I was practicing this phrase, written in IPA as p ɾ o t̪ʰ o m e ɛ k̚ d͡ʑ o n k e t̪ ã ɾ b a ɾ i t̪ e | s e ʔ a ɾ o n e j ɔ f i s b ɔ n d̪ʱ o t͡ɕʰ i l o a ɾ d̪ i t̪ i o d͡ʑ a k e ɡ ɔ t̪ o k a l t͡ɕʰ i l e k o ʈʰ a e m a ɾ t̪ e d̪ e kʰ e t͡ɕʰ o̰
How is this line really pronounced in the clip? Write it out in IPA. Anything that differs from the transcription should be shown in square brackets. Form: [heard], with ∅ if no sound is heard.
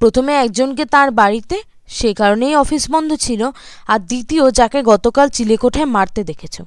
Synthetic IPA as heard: p ɾ o t̪ʰ o m e ɛ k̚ d͡ʑ o n k e t̪ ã ɾ b a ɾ i t̪ e | [ʃ] e [k] a ɾ o n e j ɔ f i s b ɔ n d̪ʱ o t͡ɕʰ i l o a ɾ d̪ i t̪ i o d͡ʑ a k e ɡ ɔ t̪ o k a l [t͡ɕ] i l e k o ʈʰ a e m a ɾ t̪ e d̪ e kʰ e t͡ɕʰ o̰